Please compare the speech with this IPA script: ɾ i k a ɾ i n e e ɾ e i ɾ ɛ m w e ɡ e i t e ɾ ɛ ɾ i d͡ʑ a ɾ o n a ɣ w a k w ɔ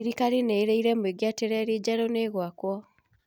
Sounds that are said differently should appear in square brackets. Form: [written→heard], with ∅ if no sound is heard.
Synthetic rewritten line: ɾ i k a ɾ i n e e ɾ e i ɾ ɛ m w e ɡ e [i→a] t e ɾ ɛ ɾ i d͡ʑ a ɾ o n [a→e] ɣ w a k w ɔ